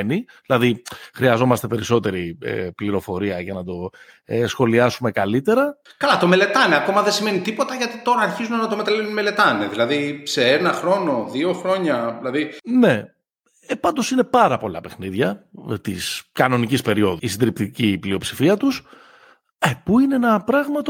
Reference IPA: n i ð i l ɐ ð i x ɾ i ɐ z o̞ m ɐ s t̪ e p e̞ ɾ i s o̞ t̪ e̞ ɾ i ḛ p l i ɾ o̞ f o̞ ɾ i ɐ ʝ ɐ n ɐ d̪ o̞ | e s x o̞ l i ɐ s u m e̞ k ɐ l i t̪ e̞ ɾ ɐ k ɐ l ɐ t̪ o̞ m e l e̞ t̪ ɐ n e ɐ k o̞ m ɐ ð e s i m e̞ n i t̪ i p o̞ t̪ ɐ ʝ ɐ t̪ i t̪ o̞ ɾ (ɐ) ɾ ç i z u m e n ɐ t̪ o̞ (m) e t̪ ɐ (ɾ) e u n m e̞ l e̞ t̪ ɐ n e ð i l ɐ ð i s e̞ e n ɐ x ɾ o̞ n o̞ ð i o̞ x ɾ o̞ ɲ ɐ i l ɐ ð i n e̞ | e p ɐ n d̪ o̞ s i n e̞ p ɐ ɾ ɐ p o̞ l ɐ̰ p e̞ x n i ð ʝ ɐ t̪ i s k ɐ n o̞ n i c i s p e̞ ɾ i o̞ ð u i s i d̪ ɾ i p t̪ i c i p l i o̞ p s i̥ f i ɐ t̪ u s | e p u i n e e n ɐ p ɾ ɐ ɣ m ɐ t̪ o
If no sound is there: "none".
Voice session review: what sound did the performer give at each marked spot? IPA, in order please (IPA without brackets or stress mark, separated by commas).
ɐː, m, l